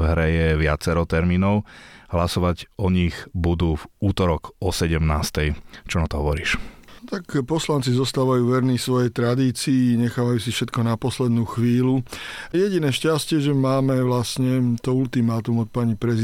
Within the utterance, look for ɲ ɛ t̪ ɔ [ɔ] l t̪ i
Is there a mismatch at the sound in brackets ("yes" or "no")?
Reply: yes